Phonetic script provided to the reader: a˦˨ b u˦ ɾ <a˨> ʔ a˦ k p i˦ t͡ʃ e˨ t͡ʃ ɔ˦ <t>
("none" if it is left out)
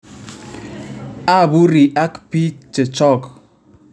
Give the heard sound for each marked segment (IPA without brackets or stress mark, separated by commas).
i˨, k